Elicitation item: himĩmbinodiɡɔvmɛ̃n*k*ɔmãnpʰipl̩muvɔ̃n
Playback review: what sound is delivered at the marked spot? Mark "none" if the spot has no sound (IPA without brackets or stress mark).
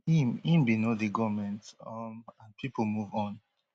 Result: t